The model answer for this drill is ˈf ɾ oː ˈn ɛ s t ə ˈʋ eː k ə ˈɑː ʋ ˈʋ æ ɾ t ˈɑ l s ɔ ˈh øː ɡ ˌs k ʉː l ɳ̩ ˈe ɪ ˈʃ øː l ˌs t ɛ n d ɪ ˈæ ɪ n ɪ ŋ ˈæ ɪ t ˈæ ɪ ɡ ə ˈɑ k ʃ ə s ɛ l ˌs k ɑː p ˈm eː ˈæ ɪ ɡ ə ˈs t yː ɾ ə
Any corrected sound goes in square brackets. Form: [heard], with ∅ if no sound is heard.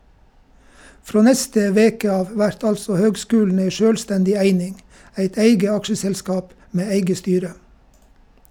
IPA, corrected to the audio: ˈf ɾ oː ˈn ɛ s t ə ˈʋ eː k ə ˈɑː ʋ ˈʋ æ ɾ t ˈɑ l s ɔ ˈh øː ɡ ˌs k ʉː l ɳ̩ ˈe ɪ ˈʃ øː l ˌs t ɛ n d ɪ ˈæ ɪ n ɪ ŋ ˈæ ɪ t ˈæ ɪ ɡ ə ˈɑ k ʃ ə s ɛ l ˌs k ɑː p ˈm eː ˈæ ɪ ɡ ə ˈs t yː ɾ ə